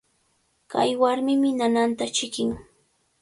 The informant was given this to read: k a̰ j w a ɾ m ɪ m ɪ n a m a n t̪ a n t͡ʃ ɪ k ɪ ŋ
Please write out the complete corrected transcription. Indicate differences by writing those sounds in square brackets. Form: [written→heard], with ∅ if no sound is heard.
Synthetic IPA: k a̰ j w a ɾ m ɪ m ɪ n a [m→n] a n t̪ a [n→∅] t͡ʃ ɪ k ɪ ŋ